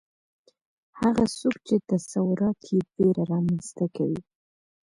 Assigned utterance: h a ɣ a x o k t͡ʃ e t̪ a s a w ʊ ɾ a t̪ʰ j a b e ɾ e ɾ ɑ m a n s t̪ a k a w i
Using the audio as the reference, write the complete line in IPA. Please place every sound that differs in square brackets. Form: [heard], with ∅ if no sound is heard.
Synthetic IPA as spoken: h a ɣ a [s] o k t͡ʃ e t̪ a s a w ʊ ɾ [ɑ] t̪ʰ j [e] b e ɾ [a] ɾ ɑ m a n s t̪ a k a w i